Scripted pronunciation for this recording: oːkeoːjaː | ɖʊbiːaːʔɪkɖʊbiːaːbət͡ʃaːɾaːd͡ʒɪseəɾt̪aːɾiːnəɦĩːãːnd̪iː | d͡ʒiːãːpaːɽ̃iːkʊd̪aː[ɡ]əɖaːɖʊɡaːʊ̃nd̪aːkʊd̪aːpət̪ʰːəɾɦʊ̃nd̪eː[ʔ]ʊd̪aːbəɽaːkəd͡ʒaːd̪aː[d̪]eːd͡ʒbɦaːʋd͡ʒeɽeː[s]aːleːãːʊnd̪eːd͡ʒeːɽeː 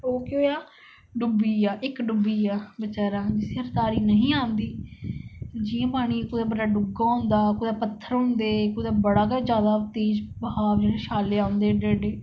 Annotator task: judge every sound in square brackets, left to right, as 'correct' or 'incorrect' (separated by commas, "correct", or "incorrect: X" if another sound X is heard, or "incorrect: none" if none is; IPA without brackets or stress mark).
incorrect: b, incorrect: k, incorrect: t̪, incorrect: ʃ